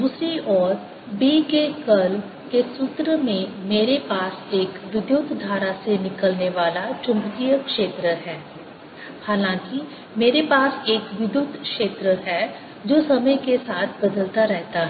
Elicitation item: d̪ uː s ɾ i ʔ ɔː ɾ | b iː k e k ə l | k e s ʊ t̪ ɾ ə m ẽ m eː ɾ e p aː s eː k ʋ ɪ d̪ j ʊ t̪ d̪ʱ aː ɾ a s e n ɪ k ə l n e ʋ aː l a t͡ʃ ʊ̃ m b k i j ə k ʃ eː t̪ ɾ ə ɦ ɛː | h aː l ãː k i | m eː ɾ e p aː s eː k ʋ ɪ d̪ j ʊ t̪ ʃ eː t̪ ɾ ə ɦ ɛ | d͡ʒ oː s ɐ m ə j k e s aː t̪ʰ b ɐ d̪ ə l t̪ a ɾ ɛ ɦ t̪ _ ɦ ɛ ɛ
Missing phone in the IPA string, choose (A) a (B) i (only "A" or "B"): A